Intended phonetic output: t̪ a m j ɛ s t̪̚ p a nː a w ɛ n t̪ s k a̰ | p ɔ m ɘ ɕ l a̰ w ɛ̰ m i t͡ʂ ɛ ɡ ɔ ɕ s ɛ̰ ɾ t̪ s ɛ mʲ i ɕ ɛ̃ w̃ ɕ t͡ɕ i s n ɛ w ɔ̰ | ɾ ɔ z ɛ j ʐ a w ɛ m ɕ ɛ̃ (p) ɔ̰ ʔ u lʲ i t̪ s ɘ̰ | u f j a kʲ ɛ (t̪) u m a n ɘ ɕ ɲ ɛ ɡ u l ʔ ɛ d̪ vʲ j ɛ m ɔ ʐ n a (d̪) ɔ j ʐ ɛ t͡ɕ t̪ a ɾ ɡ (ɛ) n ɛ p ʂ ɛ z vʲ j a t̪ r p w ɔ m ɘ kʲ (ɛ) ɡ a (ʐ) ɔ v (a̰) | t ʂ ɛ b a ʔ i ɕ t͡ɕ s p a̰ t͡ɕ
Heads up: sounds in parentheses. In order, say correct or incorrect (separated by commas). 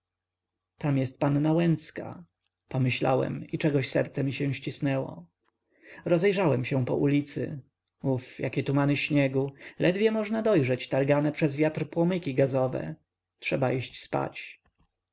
correct, correct, correct, incorrect, incorrect, incorrect, incorrect